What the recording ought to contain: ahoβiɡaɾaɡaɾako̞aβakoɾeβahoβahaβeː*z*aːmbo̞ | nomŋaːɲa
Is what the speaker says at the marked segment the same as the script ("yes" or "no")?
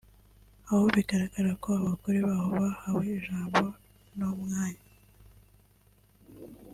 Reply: no